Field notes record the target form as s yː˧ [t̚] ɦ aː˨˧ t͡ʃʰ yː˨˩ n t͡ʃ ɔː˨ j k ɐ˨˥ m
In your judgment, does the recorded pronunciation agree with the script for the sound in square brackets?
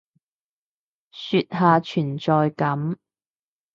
yes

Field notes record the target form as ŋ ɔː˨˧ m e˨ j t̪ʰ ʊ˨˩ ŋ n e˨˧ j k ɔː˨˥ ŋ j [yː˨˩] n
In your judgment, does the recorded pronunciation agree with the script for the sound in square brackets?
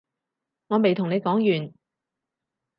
yes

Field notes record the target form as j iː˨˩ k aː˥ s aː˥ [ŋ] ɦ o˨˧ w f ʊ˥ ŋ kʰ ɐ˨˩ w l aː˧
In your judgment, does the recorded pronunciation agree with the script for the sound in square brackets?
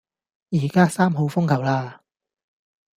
no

